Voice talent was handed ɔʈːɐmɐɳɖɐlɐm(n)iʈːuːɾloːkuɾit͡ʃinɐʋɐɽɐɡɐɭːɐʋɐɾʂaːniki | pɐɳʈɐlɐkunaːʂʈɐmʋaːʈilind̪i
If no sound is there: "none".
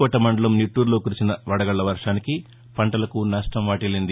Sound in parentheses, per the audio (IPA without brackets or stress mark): n